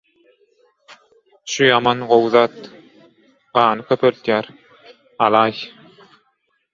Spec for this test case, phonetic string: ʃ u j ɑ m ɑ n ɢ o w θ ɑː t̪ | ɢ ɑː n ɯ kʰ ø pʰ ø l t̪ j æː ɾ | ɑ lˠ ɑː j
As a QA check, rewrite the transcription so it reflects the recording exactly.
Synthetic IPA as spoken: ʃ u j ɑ m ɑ n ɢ o w ð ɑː t̪ | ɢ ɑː n ɯ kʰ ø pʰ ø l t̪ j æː ɾ | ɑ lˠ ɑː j